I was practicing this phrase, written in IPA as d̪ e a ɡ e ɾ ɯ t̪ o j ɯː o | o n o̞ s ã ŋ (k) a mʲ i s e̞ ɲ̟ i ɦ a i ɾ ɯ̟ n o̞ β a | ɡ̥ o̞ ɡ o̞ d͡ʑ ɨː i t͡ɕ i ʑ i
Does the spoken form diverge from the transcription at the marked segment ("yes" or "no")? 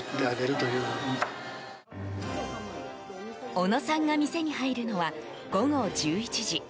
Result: yes